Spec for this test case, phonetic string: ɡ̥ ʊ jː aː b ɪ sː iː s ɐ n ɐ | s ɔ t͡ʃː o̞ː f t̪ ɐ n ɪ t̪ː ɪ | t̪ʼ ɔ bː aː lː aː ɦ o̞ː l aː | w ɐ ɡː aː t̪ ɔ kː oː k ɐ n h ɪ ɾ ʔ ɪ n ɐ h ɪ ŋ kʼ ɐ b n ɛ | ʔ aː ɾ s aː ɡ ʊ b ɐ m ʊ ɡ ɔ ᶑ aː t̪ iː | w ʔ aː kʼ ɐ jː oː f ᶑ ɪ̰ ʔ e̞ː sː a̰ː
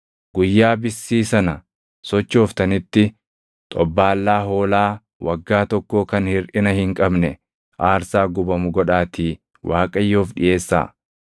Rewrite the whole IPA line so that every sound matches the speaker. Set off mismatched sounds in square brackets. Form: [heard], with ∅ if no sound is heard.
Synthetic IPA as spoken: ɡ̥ ʊ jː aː b ɪ sː iː s ɐ n ɐ | s ɔ t͡ʃː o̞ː f t̪ ɐ n ɪ t̪ː ɪ | t̪ʼ ɔ bː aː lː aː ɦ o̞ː l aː | w ɐ ɡː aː t̪ ɔ kː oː k ɐ n h ɪ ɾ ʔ ɪ n ɐ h ɪ ŋ kʼ ɐ b n ɛ | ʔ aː ɾ s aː ɡ ʊ b ɐ m ʊ ɡ ɔ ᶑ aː t̪ iː | w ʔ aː kʼ ɐ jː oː f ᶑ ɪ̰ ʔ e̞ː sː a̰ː